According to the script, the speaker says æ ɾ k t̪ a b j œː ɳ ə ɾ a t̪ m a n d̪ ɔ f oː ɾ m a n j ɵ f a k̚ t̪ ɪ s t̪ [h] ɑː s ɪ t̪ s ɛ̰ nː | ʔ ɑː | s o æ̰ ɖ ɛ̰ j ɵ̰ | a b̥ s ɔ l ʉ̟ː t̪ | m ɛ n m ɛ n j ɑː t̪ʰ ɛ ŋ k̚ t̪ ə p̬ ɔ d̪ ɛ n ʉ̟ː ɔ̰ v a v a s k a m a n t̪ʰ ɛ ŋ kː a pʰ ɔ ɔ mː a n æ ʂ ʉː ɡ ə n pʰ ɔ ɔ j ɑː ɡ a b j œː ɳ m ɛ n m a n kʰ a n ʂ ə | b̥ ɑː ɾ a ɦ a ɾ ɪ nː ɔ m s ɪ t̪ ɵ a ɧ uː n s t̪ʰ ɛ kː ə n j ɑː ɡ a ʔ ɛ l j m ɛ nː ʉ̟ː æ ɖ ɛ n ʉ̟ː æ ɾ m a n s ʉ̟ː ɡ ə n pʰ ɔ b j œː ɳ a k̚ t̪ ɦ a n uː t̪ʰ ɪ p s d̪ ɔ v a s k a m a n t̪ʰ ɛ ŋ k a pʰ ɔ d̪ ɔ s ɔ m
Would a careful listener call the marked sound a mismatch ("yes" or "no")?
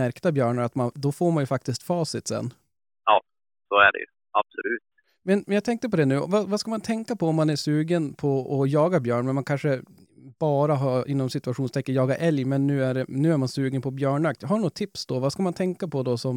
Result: yes